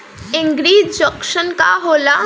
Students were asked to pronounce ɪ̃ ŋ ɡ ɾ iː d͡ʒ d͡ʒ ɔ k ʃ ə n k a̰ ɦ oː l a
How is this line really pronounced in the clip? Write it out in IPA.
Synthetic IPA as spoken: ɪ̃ ŋ ɡ ɾ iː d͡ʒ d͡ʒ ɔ k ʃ ə n k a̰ ɦ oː l a